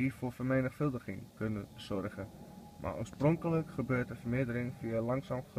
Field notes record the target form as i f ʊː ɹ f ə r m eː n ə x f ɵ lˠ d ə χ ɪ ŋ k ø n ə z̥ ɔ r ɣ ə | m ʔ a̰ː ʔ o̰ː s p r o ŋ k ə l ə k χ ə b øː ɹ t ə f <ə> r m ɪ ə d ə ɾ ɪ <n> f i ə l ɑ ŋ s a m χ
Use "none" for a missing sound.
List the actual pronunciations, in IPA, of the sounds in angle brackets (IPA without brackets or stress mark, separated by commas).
ə, ŋ